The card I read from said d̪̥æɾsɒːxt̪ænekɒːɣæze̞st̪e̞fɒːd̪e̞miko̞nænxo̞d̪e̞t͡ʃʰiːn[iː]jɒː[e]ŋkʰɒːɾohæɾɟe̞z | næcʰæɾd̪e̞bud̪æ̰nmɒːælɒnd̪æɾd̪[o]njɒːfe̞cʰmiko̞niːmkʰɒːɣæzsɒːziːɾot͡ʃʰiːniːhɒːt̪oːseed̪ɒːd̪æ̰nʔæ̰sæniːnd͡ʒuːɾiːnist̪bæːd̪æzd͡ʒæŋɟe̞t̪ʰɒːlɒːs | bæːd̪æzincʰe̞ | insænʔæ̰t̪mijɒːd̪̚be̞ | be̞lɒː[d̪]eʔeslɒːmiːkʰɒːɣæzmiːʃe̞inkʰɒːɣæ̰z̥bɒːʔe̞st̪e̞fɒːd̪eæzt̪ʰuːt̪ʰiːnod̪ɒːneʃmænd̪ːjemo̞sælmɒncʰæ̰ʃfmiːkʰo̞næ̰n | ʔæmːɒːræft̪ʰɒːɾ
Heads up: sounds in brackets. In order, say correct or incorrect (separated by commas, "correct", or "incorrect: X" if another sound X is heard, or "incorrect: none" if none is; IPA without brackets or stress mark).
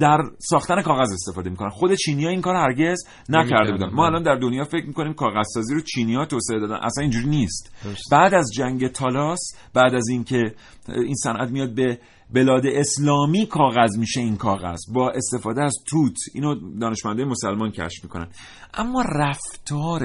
incorrect: i, incorrect: i, correct, correct